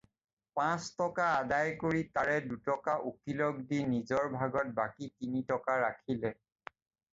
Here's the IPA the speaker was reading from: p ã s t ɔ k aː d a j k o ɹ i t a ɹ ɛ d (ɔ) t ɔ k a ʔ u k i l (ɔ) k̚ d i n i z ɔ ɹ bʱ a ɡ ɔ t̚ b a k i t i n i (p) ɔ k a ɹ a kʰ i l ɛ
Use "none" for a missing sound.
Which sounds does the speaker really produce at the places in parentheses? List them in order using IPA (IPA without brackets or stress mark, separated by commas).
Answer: u, ɔ, t